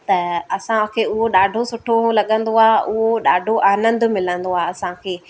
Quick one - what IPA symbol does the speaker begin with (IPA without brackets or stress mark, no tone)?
t̪